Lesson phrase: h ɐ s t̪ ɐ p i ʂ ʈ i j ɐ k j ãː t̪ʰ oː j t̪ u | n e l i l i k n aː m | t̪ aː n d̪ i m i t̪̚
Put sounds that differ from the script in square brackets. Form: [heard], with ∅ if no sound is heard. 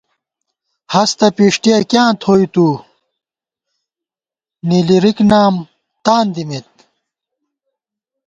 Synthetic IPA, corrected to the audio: h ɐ s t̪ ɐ p i ʂ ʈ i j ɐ k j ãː t̪ʰ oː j t̪ u | n [i] l i [ɾ] i k n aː m | t̪ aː n d̪ i m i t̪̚